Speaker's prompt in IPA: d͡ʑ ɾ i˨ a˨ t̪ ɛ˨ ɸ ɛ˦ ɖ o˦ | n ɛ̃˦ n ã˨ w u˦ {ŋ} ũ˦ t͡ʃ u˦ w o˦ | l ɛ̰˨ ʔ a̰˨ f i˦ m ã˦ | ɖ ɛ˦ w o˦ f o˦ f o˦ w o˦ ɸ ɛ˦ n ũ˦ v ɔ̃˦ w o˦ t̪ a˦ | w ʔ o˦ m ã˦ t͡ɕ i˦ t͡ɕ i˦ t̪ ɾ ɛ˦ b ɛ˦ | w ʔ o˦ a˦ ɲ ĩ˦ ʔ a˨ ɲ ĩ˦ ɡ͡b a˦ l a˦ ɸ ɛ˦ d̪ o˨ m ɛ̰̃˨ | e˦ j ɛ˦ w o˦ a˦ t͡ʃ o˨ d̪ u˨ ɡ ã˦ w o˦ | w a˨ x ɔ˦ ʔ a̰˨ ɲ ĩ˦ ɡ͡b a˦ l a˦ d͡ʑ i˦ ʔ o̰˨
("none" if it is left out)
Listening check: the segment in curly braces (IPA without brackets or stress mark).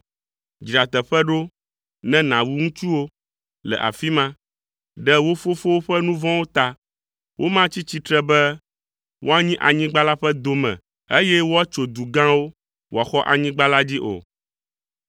ŋ